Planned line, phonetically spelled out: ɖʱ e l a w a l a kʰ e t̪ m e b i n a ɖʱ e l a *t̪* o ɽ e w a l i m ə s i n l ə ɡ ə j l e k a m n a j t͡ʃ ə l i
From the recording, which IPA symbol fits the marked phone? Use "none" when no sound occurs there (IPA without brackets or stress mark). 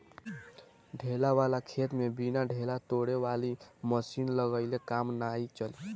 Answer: t̪